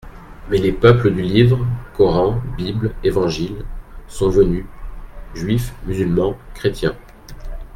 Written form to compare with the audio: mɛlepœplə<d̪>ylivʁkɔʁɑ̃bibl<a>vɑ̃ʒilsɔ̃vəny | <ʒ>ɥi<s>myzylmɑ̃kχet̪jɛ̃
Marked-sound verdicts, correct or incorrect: correct, incorrect, correct, incorrect

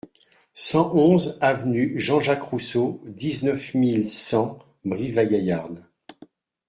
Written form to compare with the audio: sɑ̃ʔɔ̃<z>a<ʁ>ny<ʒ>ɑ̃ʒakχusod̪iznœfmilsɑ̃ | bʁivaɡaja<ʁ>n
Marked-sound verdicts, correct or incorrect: correct, incorrect, correct, correct

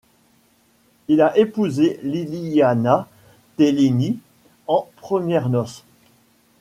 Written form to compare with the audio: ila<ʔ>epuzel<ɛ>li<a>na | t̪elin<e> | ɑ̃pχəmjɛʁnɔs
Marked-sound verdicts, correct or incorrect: correct, incorrect, correct, incorrect

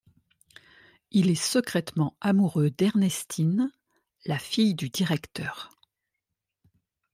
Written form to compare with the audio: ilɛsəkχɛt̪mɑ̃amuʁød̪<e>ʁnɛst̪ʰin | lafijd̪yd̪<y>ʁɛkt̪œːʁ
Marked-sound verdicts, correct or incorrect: incorrect, incorrect

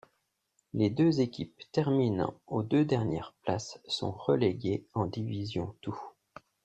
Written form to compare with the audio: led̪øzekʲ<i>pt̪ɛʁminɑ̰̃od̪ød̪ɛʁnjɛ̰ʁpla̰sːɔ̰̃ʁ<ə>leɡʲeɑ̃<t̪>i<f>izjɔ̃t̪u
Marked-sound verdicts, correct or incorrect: correct, correct, incorrect, incorrect

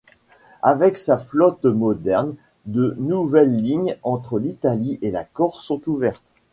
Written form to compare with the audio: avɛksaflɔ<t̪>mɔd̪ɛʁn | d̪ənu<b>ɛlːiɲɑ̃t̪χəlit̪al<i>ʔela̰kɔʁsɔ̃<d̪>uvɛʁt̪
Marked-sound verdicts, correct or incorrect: correct, incorrect, correct, incorrect

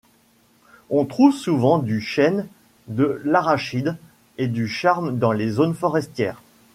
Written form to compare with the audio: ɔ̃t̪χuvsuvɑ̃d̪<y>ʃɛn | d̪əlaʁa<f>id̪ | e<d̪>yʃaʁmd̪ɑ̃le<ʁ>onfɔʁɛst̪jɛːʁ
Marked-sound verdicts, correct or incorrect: correct, incorrect, correct, incorrect

